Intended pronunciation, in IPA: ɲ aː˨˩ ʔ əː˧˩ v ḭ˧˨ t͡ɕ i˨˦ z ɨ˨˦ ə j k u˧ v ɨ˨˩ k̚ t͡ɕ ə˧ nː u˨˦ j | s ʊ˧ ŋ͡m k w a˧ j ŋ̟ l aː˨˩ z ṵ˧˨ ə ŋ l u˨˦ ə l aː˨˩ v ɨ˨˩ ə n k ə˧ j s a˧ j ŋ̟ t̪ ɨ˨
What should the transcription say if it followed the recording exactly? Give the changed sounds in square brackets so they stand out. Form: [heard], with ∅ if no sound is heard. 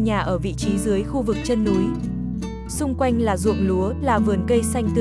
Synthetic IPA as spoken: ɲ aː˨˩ ʔ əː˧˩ v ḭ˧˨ t͡ɕ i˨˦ z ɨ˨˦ ə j [x] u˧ v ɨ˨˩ k̚ t͡ɕ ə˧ nː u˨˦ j | s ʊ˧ ŋ͡m k w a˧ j ŋ̟ l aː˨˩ z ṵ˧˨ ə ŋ l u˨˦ ə l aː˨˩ v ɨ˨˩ ə n k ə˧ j s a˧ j ŋ̟ t̪ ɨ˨